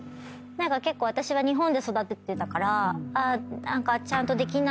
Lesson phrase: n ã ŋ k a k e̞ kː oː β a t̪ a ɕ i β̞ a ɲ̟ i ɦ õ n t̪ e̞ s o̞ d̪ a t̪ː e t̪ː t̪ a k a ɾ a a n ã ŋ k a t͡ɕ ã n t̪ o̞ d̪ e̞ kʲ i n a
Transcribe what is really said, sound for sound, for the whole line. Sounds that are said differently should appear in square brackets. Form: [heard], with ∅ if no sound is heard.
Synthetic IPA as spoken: n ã ŋ k a k e̞ kː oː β a t̪ a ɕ i β̞ a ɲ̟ i ɦ õ n [d̪] e̞ s o̞ d̪ a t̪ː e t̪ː t̪ a k a ɾ a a n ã ŋ k a t͡ɕ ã n t̪ o̞ d̪ e̞ kʲ i n a

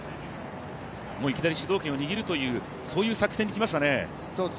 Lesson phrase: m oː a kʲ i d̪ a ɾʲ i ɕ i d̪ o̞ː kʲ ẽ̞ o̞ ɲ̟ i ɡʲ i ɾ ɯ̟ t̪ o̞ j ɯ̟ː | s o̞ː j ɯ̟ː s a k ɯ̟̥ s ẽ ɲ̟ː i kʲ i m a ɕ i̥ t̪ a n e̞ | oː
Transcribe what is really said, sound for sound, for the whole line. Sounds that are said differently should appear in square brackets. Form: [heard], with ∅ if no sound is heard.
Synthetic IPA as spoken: m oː [i] kʲ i d̪ a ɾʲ i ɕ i d̪ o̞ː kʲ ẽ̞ o̞ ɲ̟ i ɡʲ i ɾ ɯ̟ t̪ o̞ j ɯ̟ː | s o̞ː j ɯ̟ː s a k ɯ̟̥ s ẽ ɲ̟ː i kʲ i m a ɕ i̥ t̪ a n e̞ | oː

